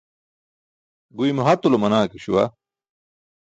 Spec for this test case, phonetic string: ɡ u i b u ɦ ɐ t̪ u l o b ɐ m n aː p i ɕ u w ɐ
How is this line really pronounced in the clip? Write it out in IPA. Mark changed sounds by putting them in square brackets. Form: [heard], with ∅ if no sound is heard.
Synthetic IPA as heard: ɡ u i [m] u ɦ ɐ t̪ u l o [m] ɐ [∅] n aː [k] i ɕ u w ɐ